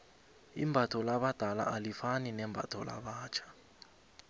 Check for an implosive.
present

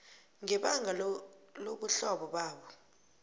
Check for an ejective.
absent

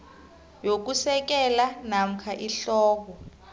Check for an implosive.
absent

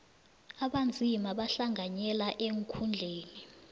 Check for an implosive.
present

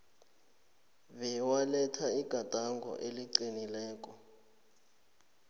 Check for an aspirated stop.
present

